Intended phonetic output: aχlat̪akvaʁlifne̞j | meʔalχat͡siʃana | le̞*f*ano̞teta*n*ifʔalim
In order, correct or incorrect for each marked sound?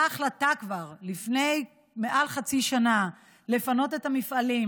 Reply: correct, incorrect

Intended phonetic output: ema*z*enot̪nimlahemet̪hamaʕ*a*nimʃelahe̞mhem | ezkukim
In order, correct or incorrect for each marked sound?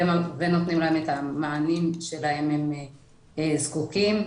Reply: incorrect, correct

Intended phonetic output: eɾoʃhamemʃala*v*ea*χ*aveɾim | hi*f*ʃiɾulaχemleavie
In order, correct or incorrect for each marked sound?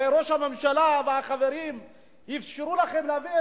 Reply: correct, correct, correct

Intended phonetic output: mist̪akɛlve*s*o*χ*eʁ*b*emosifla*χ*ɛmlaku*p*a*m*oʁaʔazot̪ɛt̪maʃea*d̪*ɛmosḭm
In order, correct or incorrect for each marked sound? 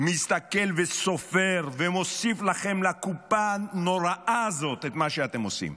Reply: correct, incorrect, incorrect, correct, correct, incorrect, incorrect

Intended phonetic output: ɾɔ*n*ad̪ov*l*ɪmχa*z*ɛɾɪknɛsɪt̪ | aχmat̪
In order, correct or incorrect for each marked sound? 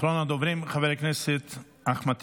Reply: correct, incorrect, incorrect

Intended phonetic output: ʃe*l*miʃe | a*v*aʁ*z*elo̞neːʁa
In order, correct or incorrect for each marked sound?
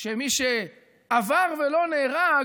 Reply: incorrect, correct, incorrect

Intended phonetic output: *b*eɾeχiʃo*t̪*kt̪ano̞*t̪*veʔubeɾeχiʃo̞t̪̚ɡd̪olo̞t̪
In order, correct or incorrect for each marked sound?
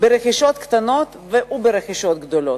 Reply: correct, correct, correct

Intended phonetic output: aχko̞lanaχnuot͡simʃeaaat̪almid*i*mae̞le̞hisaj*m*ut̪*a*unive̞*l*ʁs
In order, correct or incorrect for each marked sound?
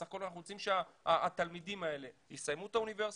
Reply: correct, correct, correct, incorrect

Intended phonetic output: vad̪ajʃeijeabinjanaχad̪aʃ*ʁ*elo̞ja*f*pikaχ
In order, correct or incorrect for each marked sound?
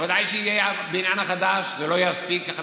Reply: incorrect, incorrect

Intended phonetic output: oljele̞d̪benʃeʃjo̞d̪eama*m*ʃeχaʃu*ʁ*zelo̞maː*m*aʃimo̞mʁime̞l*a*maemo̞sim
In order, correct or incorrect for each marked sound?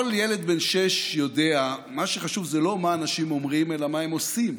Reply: incorrect, incorrect, incorrect, correct

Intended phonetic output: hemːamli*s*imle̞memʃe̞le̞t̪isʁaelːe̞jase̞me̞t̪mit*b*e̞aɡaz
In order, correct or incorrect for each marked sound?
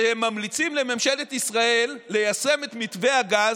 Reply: incorrect, incorrect

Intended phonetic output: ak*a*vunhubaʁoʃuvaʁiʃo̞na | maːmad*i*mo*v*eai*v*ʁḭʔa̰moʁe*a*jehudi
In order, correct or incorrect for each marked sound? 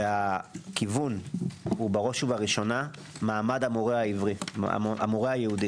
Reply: incorrect, incorrect, incorrect, correct, correct

